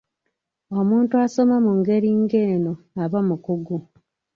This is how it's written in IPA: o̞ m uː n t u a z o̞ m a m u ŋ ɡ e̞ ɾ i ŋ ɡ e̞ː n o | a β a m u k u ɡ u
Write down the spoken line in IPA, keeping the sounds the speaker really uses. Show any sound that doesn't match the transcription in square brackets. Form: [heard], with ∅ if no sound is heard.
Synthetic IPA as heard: o̞ m uː n t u a [s] o̞ m a m u ŋ ɡ e̞ ɾ i ŋ ɡ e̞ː n o | a β a m u k u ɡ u